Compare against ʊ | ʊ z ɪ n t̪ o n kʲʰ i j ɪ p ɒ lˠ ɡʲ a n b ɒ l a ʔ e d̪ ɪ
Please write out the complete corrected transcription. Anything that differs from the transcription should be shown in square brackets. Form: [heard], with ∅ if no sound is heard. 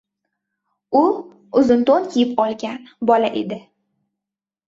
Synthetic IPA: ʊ | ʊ z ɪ n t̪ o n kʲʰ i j ɪ p ɒ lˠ ɡʲ a n b ɒ l a ʔ e d̪ ɪ